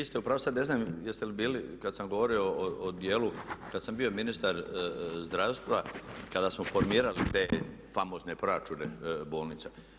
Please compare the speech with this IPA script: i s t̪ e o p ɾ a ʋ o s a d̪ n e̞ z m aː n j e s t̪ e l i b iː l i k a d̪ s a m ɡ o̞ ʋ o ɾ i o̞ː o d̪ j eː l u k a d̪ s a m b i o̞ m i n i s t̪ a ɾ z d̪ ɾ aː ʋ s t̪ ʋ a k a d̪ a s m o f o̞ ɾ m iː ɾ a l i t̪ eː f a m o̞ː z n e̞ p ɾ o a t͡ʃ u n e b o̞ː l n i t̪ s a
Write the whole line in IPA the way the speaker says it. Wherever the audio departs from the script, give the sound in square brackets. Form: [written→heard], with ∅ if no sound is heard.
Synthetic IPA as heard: i s t̪ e [o→u] p ɾ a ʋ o s a d̪ n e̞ z [m→n] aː [n→m] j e s t̪ e l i b iː l i k a d̪ s a m ɡ o̞ ʋ o ɾ i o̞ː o d̪ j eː l u k a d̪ s a m b i o̞ m i n i s t̪ a ɾ z d̪ ɾ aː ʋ s t̪ ʋ a k a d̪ a s m o f o̞ ɾ m iː ɾ a l i t̪ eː f a m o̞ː z n e̞ p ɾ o a t͡ʃ u n e b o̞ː l n i t̪ s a